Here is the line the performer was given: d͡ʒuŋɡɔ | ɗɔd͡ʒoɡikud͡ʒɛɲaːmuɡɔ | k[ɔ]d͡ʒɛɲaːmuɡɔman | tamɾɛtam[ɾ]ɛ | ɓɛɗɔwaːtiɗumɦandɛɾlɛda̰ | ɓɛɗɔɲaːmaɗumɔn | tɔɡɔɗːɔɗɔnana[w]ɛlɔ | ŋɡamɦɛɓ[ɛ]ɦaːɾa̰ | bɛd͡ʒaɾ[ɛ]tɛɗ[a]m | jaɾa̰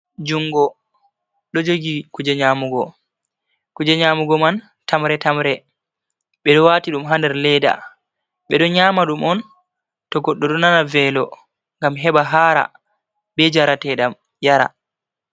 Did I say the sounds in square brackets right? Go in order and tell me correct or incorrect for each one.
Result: incorrect, correct, incorrect, incorrect, incorrect, correct

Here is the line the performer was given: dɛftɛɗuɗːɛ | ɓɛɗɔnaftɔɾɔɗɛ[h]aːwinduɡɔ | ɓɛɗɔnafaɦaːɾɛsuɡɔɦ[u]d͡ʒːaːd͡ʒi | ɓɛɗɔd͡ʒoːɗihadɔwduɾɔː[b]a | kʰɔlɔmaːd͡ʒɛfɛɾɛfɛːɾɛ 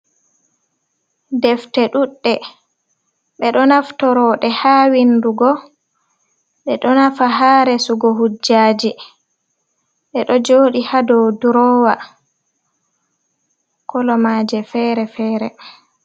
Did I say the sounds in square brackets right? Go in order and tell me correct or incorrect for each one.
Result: correct, correct, incorrect

